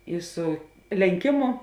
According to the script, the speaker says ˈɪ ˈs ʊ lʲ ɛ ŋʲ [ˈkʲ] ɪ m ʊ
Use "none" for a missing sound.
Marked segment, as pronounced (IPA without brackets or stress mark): kʲ